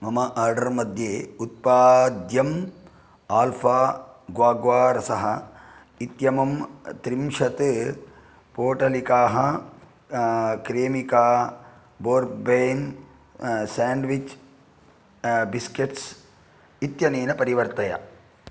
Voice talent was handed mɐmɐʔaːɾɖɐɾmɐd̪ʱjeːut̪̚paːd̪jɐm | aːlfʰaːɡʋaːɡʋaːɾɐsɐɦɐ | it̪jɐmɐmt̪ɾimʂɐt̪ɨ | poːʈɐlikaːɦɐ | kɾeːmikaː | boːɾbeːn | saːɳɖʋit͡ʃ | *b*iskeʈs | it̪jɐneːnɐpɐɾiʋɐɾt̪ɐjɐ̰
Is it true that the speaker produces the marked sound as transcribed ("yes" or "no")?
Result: yes